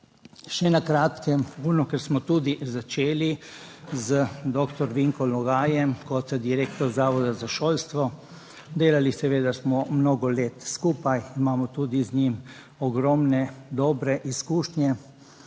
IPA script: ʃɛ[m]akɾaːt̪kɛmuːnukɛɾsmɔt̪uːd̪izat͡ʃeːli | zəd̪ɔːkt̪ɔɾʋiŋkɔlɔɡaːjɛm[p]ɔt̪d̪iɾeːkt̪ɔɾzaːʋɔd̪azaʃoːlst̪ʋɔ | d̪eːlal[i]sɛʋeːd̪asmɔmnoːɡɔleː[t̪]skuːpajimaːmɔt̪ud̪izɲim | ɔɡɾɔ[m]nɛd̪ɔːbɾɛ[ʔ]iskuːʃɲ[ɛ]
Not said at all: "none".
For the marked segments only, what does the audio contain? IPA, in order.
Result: n, k, i, t̪, m, ʔ, ɛ

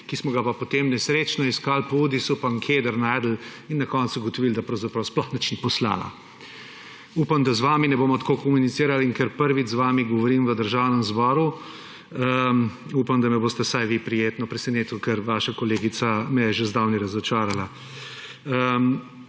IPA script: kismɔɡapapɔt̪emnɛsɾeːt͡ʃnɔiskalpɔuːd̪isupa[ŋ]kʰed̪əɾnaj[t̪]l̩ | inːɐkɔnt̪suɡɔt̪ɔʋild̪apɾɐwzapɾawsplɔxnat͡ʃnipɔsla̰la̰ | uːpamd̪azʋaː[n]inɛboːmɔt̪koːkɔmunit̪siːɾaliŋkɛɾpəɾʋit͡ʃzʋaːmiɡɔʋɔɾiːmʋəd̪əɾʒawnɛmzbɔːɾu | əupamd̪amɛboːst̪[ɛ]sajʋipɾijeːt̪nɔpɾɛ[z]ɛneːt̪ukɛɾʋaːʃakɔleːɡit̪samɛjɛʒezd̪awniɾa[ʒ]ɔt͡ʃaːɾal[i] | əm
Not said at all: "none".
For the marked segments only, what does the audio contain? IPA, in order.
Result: ŋ, d̪, m, ɛ, s, z, a

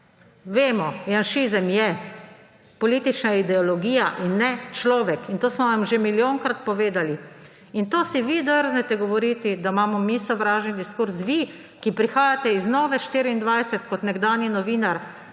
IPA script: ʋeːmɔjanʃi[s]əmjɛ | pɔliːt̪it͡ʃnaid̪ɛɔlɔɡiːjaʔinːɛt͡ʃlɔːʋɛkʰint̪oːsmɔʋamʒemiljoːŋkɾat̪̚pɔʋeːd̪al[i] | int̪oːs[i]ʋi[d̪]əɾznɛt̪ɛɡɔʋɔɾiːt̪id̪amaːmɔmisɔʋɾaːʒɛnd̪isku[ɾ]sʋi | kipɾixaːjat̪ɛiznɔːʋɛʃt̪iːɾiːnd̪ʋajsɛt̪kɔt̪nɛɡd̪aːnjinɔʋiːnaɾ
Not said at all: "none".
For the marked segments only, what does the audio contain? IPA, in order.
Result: z, i, i, d̪, ɾ

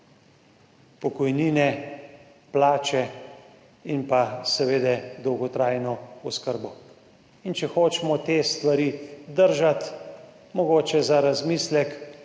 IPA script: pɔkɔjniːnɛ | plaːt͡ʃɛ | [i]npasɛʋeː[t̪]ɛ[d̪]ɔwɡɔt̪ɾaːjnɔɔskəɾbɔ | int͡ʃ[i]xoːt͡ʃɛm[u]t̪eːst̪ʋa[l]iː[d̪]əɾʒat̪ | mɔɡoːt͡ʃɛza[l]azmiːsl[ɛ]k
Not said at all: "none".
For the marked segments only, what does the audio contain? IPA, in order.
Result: i, d̪, d̪, ɛ, ɔ, ɾ, d̪, ɾ, ɛ

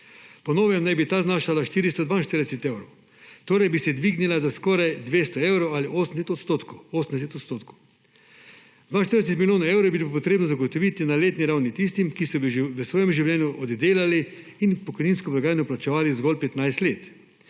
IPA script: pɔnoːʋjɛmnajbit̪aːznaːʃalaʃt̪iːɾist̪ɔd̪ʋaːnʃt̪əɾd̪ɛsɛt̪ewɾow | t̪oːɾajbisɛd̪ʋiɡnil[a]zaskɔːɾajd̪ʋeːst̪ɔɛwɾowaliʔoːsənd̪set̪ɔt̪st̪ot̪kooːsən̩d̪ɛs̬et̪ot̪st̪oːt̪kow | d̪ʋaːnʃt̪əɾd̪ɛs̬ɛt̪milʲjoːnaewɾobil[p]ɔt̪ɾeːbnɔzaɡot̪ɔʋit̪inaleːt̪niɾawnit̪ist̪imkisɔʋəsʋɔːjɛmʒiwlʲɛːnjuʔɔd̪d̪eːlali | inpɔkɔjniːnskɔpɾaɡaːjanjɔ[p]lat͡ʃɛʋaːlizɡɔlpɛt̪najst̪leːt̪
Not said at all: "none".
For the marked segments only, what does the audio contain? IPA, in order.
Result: a, p, p

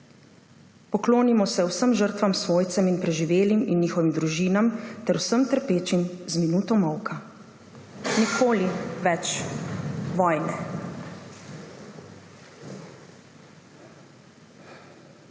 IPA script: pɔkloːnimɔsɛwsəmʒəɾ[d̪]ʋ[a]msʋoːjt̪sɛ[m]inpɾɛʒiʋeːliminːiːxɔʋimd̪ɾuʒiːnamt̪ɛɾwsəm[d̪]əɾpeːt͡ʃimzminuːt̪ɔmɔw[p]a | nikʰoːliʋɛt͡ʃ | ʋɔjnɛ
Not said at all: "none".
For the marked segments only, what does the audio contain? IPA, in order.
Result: t̪, a, m, t̪, k

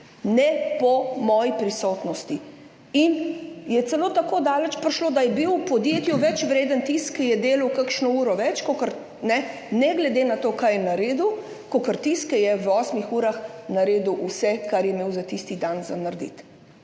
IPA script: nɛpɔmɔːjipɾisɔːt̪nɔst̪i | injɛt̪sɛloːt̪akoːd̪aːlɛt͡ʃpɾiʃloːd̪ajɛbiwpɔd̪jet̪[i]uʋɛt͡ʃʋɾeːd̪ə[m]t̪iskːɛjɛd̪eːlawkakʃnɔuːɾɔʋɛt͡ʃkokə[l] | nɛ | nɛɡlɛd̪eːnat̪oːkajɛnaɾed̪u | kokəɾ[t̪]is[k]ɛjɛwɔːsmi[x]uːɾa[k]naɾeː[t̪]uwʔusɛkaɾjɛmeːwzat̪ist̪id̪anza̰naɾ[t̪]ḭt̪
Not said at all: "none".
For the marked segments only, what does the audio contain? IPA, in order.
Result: j, n, ɾ, t̪, k, x, x, d̪, d̪

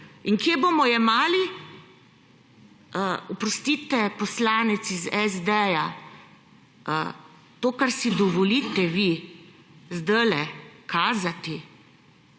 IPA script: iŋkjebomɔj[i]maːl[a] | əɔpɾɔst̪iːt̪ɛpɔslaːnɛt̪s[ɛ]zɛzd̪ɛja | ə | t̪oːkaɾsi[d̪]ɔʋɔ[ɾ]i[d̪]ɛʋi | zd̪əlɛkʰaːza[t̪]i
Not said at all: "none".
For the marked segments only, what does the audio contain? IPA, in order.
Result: ɛ, i, i, d̪, l, t̪, t̪

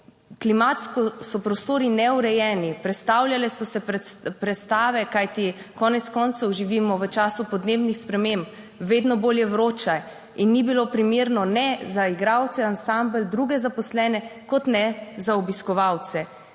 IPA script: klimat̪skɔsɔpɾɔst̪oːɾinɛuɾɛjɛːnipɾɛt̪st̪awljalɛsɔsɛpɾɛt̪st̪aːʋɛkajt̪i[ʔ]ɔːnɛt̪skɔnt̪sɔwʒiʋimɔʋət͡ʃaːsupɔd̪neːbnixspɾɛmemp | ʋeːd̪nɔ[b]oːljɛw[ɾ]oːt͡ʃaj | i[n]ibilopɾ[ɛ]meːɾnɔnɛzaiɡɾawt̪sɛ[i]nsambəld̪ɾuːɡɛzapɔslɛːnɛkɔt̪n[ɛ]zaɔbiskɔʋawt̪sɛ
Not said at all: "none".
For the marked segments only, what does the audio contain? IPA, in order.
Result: k, b, ɾ, nː, i, a, ɛ

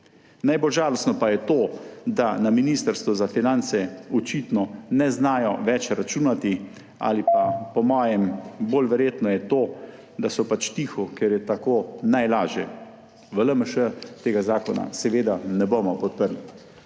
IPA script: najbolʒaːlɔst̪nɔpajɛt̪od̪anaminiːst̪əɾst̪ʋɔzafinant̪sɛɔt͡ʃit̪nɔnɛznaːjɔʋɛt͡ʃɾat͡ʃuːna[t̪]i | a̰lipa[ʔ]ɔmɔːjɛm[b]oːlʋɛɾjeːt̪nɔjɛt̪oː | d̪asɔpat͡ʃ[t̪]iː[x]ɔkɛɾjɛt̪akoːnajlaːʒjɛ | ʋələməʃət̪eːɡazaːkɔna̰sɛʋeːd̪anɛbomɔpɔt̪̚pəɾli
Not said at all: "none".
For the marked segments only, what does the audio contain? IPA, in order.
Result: t̪, p, b, t̪, x

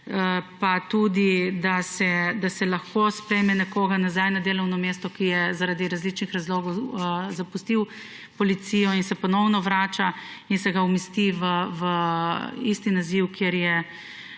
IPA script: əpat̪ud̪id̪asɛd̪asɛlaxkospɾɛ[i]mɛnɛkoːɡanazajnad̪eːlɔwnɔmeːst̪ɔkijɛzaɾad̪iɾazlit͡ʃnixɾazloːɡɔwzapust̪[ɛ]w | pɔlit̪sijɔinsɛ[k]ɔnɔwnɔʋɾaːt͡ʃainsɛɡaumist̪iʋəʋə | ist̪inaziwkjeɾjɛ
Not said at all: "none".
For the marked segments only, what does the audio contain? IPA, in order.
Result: j, i, p

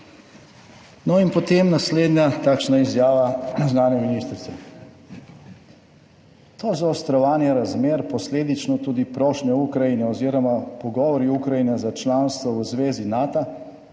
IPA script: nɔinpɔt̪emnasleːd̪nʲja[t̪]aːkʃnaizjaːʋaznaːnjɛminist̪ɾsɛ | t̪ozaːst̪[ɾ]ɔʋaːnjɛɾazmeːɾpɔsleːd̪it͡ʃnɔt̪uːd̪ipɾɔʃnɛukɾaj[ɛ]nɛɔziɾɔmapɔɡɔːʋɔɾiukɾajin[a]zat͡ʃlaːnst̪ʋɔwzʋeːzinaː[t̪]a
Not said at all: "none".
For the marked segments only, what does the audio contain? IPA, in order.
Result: t̪, ɾ, i, ɛ, t̪

